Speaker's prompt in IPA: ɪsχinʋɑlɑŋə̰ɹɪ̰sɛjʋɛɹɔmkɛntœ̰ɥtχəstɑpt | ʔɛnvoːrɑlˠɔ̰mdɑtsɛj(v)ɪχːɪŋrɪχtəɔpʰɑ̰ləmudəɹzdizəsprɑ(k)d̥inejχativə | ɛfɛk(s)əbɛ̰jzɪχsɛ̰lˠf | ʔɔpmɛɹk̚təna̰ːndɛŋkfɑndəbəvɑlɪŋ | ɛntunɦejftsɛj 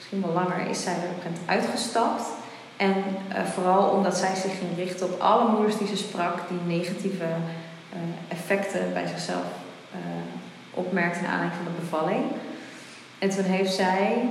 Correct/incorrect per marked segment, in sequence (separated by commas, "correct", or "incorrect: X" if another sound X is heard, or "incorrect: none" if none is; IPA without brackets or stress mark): incorrect: z, correct, incorrect: t